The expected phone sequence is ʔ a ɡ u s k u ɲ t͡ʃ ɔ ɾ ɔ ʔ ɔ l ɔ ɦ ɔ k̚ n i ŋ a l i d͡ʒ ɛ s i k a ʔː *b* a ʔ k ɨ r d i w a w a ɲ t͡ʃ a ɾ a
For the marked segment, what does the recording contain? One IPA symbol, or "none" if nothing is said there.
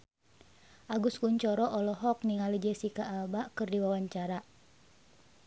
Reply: b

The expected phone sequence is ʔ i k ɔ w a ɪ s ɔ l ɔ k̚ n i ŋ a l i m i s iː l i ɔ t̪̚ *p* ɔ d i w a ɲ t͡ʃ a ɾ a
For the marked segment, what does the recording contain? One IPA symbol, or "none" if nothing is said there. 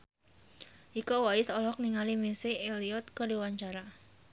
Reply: k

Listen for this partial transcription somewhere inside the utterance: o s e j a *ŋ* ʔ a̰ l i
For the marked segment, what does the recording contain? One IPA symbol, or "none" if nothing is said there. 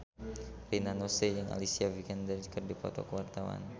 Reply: ŋ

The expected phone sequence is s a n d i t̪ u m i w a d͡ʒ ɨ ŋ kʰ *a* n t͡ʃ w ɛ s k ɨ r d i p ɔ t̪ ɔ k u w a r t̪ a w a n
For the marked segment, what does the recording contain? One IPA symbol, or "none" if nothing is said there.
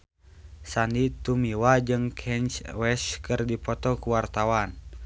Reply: ɛ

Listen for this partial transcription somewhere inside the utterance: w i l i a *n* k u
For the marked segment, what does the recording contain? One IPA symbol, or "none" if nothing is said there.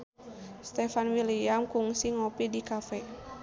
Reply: m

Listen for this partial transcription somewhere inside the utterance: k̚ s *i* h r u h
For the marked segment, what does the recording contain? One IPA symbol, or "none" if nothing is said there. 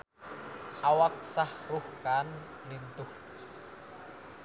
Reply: a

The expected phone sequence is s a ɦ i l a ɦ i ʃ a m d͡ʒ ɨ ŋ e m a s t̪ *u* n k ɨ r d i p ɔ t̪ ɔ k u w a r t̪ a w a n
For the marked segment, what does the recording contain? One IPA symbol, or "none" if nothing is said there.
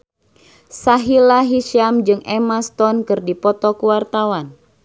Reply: ɔ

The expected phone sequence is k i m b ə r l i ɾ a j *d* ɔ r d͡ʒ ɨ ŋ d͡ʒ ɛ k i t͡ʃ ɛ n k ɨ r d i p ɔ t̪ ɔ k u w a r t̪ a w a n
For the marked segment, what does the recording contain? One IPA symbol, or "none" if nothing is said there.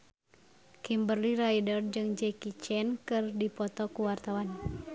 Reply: d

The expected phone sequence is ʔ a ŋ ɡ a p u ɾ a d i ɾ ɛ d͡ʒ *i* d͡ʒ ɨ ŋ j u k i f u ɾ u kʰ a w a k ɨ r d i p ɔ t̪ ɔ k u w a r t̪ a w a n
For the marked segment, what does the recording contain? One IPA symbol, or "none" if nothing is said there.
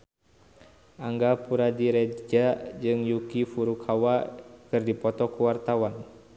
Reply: a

